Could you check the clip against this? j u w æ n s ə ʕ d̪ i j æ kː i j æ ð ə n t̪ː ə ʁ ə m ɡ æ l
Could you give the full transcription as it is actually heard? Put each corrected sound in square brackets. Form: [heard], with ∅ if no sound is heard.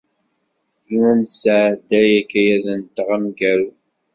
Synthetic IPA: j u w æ n s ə ʕ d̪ [æ] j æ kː [æ] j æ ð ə n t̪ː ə ʁ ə m ɡ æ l